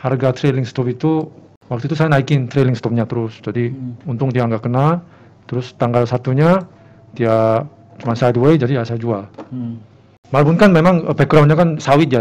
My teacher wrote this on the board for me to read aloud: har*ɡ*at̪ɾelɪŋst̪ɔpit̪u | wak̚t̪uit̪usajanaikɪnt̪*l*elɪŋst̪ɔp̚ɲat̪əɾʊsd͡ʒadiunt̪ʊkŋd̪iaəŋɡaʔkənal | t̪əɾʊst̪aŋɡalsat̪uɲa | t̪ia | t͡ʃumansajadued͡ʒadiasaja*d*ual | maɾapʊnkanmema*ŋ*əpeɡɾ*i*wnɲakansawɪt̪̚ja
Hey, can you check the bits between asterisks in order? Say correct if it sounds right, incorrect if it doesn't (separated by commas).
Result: correct, incorrect, incorrect, correct, incorrect